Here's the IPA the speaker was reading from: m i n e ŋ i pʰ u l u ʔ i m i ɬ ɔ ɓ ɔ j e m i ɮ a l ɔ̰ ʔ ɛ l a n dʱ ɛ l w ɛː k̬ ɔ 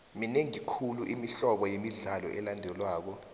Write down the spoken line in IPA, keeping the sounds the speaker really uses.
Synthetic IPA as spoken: m i n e ŋ i kʰ u l u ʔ i m i ɬ ɔ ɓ ɔ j e m i ɮ a l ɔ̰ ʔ ɛ l a n dʱ ɛ l w aː k̬ ɔ